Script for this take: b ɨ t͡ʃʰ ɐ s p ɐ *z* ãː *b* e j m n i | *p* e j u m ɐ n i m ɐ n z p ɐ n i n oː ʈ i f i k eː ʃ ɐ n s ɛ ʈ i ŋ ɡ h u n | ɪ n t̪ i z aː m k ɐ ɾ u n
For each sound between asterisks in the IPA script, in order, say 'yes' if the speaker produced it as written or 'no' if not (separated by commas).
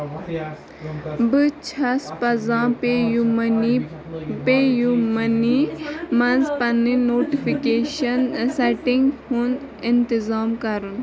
yes, no, yes